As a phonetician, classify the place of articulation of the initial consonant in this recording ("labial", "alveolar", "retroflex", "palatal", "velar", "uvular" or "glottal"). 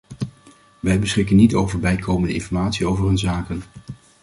labial